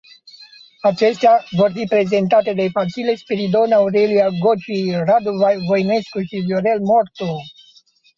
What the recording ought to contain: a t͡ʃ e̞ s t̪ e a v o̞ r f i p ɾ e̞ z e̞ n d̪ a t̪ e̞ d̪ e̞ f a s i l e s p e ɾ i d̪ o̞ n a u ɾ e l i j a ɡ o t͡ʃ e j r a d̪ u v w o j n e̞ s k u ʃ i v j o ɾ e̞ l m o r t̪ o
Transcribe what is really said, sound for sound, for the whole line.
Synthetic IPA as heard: a t͡ʃ e̞ s t̪ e a v o̞ r f i p ɾ e̞ z e̞ n t̪ a t̪ e̞ d̪ e̞ f a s i l e s p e ɾ i d̪ o̞ n a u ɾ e l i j a ɡ o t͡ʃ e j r a d̪ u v v o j n e̞ s k u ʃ i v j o ɾ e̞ l m o r t̪ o